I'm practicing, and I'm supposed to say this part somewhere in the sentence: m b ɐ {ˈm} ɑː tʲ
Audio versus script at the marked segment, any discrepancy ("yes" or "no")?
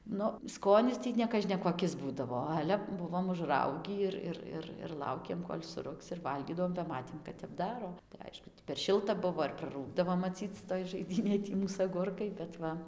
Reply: no